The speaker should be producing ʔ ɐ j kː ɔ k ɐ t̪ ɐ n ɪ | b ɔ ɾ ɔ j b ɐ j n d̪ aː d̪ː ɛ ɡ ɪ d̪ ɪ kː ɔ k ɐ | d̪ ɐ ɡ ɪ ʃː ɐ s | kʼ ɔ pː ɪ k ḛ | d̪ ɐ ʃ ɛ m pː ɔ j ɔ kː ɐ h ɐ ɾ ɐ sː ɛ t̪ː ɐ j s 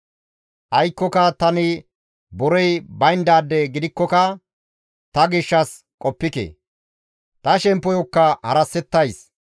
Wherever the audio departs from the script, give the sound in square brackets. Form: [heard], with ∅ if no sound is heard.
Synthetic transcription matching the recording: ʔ ɐ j kː ɔ k ɐ t̪ ɐ n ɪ | b ɔ ɾ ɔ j b ɐ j n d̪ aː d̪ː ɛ ɡ ɪ d̪ ɪ kː ɔ k ɐ | [t̪] ɐ ɡ ɪ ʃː ɐ s | kʼ ɔ pː ɪ k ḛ | [t̪] ɐ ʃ ɛ m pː ɔ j ɔ kː ɐ h ɐ ɾ ɐ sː ɛ t̪ː ɐ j s